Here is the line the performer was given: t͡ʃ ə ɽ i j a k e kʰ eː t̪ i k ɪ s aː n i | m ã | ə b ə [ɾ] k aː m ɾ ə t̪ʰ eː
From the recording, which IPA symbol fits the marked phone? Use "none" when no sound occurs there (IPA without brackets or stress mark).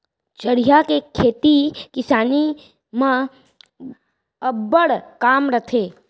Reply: ɽ